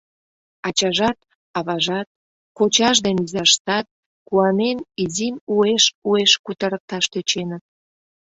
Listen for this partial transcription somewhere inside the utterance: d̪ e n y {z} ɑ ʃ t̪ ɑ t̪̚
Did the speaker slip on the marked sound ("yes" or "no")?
no